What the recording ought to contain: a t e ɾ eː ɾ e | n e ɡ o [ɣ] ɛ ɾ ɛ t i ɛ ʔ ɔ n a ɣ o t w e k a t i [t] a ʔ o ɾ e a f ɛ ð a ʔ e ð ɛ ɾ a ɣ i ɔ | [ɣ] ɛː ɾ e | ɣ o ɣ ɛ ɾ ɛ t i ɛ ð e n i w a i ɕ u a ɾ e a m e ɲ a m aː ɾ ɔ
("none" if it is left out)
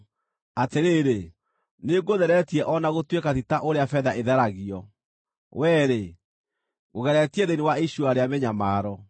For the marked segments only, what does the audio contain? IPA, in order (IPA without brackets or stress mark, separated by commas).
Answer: ð, t, w